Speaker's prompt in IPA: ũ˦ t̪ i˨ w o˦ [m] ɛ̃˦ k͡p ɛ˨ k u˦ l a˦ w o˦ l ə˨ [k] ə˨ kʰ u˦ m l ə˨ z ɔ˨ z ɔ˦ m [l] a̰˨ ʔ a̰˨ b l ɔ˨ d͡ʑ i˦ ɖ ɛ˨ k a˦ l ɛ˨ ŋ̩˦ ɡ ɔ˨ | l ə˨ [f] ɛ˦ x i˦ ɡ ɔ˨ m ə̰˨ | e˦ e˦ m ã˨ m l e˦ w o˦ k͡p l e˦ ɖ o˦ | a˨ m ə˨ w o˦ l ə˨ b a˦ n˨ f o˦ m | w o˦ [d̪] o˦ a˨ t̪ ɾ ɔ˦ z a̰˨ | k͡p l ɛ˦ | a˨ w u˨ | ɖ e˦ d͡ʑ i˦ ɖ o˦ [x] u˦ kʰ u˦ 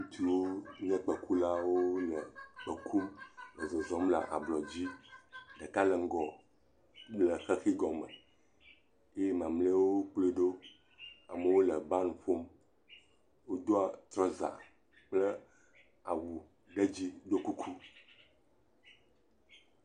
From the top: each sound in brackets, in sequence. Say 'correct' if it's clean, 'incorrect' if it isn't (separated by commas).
incorrect, incorrect, correct, incorrect, correct, incorrect